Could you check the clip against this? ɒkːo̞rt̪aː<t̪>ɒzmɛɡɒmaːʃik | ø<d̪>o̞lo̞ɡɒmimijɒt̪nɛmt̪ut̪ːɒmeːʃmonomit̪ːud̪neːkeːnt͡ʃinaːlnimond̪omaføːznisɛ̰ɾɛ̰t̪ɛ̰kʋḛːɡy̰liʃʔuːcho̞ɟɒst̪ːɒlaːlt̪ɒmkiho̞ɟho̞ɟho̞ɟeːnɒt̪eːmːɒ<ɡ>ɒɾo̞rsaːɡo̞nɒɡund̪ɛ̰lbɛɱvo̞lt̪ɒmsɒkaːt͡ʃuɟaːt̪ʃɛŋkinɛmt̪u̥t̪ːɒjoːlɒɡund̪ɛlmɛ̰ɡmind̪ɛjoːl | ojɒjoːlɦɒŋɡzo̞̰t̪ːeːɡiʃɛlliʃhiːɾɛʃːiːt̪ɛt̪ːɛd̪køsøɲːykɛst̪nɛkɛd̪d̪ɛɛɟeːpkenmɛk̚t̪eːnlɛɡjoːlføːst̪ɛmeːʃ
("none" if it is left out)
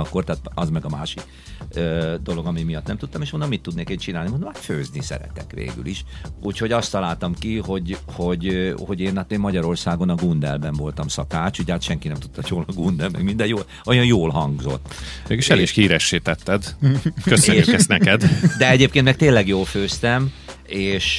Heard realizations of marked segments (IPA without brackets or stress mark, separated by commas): t̪, d̪, ɟ